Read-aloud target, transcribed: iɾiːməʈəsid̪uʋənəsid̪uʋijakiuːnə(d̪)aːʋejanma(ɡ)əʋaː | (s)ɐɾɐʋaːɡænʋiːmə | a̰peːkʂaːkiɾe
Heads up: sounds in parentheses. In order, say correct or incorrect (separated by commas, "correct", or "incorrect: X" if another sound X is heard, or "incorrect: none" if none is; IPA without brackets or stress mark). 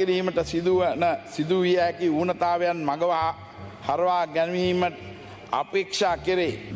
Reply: incorrect: t̪, correct, incorrect: h